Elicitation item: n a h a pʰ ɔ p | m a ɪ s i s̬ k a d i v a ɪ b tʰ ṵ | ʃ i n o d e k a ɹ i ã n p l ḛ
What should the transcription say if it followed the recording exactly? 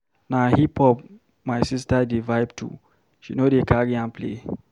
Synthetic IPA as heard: n a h i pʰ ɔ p | m a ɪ s i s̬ t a d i v a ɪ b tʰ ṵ | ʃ i n o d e k a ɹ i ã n p l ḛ